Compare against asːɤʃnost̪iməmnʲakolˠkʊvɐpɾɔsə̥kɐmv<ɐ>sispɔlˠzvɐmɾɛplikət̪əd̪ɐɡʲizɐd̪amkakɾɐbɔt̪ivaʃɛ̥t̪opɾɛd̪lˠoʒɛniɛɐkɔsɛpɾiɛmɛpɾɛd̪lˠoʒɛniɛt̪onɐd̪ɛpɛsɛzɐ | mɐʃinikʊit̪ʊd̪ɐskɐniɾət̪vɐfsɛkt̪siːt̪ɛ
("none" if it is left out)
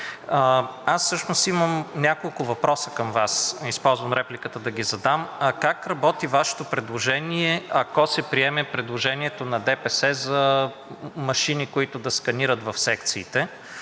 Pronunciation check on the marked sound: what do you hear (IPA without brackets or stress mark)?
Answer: a